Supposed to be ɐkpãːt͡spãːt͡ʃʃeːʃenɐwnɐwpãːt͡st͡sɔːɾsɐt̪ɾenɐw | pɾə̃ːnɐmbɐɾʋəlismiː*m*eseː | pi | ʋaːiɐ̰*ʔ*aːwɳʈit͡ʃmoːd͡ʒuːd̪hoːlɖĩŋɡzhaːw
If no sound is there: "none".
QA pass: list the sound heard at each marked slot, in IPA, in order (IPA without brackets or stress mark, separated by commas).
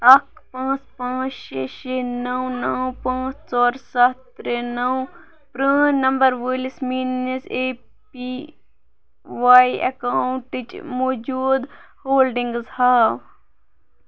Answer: n, k